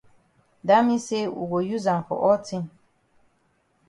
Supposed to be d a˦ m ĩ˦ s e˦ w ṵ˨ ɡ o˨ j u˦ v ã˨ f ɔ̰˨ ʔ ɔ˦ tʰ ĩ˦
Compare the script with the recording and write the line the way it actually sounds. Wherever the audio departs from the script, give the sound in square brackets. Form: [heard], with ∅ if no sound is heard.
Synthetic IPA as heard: d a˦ m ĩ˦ s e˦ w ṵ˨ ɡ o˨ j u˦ [z] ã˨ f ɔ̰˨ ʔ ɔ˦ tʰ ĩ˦

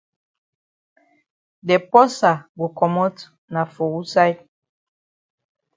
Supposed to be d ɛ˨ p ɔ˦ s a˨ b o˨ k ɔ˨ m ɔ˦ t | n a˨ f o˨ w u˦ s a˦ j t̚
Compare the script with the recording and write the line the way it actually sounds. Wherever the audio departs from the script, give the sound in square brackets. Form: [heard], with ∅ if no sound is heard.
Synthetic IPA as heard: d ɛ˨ p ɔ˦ s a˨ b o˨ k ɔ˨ m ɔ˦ t | n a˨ f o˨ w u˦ s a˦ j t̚

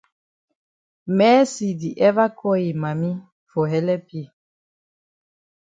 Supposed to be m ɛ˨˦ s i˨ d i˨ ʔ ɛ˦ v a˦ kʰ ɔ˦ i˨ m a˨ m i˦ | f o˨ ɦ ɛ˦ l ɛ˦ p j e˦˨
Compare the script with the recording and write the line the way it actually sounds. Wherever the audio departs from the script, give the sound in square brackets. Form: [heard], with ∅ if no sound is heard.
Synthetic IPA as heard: m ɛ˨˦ s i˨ d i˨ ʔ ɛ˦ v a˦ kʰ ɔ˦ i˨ m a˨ m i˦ | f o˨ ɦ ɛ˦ l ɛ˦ p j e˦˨

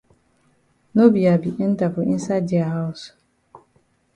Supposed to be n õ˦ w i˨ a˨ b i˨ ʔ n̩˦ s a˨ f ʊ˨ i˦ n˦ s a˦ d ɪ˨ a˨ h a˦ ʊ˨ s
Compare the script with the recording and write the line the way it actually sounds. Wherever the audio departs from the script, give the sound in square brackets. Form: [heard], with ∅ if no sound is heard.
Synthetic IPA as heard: n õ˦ [b] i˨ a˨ b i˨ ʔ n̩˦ [t] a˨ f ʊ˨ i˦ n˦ s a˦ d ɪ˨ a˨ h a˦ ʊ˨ s

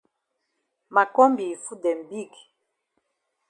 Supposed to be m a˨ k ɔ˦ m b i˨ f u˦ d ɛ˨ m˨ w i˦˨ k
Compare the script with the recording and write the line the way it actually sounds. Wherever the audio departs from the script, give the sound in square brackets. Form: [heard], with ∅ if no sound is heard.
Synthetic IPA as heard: m a˨ k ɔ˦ m b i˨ f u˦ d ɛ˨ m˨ [b] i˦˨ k

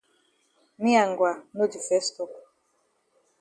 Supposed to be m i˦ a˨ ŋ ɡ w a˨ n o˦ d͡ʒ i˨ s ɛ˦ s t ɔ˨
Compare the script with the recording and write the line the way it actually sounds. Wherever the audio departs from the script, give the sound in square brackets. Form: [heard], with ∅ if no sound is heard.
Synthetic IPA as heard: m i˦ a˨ ŋ ɡ w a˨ n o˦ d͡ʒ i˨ [f] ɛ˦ s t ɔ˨

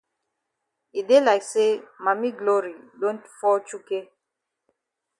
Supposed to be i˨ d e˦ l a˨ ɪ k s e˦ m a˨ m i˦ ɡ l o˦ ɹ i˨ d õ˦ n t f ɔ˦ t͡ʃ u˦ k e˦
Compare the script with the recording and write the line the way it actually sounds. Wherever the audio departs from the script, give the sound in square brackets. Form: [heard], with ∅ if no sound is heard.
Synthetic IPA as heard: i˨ d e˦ l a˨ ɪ k s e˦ m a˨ m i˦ ɡ l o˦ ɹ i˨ d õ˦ n t f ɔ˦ t͡ʃ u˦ k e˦

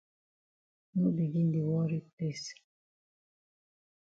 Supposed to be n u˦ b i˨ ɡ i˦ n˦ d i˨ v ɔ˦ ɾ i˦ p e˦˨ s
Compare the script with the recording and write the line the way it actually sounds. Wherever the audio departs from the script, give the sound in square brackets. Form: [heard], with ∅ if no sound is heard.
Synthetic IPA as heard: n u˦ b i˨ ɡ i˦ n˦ d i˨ [w] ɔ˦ ɾ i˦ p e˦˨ s

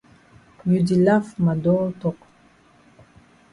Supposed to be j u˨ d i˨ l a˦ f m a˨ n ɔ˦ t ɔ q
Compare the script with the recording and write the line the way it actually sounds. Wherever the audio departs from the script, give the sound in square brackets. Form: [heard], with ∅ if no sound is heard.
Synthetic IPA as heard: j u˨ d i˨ l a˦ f m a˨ [d] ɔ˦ t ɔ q

